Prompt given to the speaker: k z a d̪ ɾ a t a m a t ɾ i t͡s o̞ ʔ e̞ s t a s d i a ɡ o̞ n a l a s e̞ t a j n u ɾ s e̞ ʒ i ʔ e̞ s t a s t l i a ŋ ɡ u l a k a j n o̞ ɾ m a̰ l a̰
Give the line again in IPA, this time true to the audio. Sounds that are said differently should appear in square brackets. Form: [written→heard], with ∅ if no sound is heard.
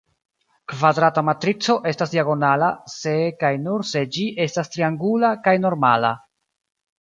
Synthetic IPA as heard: k [z→v] a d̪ ɾ a t a m a t ɾ i t͡s o̞ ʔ e̞ s t a s d i a ɡ o̞ n a l a s e̞ [t→k] a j n u ɾ s e̞ [ʒ→d͡ʒ] i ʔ e̞ s t a s t [l→ɾ] i a ŋ ɡ u l a k a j n o̞ ɾ m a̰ l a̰